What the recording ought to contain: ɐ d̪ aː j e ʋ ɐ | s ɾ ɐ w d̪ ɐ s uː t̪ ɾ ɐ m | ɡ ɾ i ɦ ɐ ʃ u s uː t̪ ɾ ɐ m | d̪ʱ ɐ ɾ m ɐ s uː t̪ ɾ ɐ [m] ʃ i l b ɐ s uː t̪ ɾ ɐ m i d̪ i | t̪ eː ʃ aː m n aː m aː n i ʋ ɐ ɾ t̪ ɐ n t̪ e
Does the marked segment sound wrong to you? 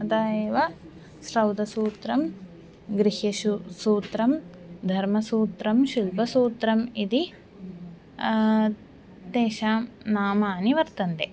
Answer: no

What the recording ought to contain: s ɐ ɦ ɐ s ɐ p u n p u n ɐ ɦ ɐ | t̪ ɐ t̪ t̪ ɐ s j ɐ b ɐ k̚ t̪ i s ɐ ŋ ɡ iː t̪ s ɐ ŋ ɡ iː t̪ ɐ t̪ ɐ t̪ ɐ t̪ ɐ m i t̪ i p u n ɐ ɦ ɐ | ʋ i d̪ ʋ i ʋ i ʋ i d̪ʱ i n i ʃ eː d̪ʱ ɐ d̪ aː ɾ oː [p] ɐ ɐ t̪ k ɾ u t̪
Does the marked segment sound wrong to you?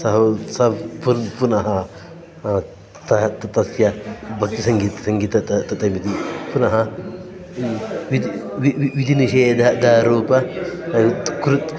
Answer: no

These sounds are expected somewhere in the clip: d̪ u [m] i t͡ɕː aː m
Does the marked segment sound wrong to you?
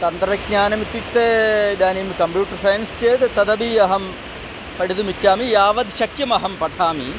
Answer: no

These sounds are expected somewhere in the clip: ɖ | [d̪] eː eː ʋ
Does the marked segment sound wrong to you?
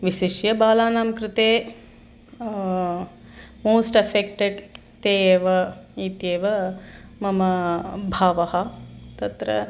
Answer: yes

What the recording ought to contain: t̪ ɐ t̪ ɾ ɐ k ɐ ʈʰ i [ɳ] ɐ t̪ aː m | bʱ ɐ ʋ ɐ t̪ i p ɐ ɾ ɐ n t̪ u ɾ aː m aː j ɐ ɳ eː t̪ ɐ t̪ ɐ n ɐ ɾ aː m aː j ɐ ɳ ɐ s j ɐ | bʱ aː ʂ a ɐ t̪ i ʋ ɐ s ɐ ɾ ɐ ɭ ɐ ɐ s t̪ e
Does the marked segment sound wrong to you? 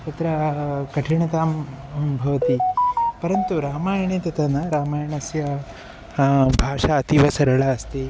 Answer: no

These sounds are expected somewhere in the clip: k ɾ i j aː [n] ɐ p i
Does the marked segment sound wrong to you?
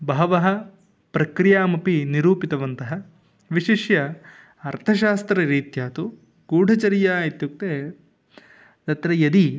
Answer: yes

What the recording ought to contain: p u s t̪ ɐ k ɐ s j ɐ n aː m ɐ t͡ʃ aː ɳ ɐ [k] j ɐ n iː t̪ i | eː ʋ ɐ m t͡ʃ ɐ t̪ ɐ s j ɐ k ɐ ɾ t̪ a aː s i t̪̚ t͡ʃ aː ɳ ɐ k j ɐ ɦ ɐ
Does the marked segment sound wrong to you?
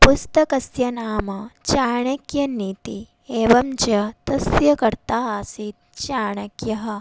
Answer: no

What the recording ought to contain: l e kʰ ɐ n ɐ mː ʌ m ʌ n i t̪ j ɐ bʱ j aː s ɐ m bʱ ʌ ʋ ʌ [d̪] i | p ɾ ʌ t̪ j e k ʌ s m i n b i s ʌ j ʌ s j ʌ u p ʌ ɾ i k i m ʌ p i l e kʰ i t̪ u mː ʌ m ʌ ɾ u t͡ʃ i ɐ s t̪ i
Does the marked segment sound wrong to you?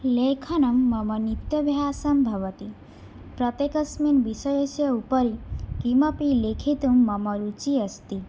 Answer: yes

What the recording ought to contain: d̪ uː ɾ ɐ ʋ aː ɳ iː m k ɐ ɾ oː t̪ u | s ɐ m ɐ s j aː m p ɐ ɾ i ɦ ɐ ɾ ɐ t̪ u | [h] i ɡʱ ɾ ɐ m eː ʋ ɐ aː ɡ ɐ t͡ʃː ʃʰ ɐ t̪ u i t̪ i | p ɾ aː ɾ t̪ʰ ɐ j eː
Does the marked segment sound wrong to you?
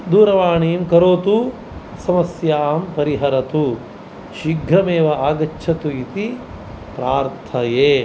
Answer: yes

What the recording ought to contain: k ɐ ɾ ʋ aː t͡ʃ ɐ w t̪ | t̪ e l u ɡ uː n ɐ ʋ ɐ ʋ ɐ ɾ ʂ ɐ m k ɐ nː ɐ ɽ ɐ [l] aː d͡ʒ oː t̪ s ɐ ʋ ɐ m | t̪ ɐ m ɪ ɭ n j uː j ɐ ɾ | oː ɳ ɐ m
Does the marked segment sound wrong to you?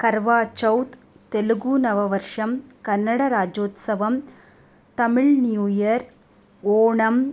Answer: yes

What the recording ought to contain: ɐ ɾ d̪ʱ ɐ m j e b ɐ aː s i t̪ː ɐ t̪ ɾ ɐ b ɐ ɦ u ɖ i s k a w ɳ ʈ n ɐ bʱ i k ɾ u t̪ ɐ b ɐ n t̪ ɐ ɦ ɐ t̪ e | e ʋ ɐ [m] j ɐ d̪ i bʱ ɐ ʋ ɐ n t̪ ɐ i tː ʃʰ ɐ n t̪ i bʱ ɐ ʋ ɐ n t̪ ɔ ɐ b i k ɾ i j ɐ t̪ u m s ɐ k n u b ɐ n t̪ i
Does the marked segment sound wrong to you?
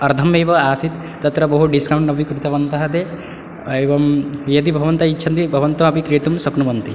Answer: no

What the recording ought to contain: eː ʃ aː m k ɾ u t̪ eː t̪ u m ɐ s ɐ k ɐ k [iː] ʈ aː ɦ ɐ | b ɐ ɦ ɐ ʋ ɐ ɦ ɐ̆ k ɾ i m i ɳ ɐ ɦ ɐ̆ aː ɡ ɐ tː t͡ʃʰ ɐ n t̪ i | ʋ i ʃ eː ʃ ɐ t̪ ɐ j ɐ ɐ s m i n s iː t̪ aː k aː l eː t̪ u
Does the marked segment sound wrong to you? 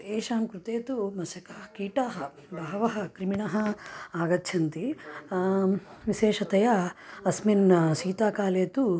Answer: no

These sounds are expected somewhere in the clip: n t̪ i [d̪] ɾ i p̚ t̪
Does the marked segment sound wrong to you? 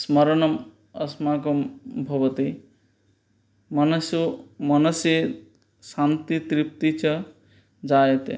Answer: yes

